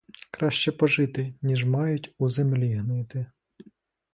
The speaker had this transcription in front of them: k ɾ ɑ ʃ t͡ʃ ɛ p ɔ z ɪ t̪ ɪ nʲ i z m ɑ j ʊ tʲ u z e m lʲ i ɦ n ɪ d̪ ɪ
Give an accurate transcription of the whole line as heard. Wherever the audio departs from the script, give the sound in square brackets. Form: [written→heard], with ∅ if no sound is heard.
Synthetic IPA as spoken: k ɾ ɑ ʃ t͡ʃ ɛ p ɔ [z→ʒ] ɪ t̪ ɪ nʲ i [z→ʒ] m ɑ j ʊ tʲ u z e m lʲ i ɦ n ɪ [d̪→t̪] ɪ